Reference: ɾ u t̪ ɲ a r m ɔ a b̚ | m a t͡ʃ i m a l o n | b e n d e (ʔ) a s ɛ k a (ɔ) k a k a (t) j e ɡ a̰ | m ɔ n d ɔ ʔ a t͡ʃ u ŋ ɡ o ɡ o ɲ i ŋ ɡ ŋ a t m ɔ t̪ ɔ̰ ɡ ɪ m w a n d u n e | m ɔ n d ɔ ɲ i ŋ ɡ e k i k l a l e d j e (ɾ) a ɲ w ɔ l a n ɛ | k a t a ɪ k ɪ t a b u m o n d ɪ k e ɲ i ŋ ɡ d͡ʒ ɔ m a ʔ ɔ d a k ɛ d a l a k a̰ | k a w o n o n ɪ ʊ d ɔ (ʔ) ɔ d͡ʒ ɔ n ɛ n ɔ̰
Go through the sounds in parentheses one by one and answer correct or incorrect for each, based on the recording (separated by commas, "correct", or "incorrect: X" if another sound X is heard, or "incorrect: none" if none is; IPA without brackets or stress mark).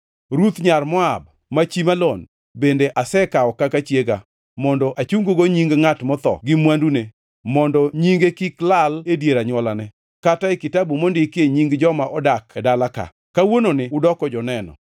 correct, correct, incorrect: t͡ʃ, correct, incorrect: k